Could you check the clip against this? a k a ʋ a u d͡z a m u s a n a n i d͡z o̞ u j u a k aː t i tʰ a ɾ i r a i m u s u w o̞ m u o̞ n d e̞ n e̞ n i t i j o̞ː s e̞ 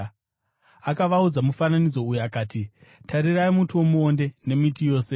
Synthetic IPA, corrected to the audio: a k a ʋ a u d͡z a m u f a n a n i d͡z o̞ u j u a k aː t i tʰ a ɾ i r a i m u t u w o̞ m u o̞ n d e̞ n e̞ m i t i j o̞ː s e̞